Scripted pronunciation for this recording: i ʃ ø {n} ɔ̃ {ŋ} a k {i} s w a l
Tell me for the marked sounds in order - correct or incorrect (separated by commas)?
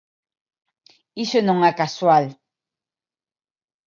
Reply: correct, correct, incorrect